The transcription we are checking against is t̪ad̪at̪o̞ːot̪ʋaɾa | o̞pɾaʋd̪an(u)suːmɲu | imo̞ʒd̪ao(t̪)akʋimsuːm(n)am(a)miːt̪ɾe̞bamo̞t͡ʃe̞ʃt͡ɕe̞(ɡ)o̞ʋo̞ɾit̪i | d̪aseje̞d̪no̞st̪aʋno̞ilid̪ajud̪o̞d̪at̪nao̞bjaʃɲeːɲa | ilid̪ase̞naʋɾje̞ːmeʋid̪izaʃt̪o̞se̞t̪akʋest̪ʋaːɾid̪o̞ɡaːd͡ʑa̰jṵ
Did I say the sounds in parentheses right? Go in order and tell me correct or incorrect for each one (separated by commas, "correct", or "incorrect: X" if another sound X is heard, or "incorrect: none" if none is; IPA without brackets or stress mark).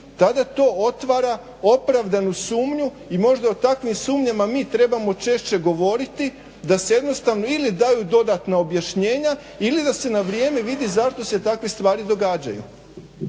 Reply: correct, correct, incorrect: ɲ, correct, correct